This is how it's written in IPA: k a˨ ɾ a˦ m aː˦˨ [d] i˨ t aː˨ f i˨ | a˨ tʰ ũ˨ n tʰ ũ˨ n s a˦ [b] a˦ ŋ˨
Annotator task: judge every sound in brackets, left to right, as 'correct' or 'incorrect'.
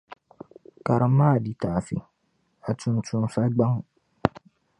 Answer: correct, incorrect

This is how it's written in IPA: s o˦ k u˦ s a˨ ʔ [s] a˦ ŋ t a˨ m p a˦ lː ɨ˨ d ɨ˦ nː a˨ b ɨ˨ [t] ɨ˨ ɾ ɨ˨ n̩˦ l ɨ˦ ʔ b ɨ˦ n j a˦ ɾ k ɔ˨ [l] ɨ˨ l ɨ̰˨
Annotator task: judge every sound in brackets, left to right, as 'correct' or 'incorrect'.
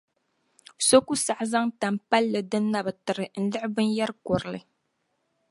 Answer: incorrect, correct, incorrect

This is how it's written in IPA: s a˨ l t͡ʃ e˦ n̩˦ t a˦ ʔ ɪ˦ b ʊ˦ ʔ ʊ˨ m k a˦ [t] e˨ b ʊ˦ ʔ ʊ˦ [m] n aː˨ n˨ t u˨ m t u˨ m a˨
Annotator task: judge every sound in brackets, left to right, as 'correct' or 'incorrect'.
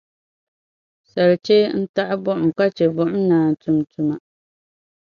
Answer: incorrect, correct

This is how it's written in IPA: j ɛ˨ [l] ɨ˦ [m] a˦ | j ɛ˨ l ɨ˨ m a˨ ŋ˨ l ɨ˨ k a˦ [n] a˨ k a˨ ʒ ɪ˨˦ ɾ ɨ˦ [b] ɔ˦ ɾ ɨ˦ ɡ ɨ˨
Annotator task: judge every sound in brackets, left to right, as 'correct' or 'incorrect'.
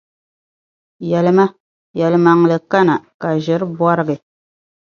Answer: correct, correct, correct, correct

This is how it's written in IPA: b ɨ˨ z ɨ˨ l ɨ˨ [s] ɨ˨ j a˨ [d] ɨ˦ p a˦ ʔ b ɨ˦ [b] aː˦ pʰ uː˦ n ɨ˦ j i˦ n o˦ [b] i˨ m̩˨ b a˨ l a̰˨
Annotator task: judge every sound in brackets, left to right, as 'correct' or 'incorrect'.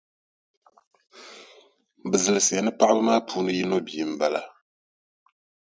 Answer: correct, incorrect, incorrect, correct

